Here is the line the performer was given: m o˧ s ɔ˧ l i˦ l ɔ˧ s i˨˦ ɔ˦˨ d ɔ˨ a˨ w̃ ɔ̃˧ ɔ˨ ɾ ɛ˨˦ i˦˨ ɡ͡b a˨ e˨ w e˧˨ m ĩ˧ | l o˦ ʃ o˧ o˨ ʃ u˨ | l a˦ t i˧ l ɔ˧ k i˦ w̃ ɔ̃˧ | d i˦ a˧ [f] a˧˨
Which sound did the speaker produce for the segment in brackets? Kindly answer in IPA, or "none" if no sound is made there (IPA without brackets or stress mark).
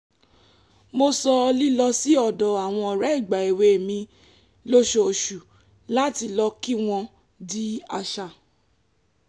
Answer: ʃ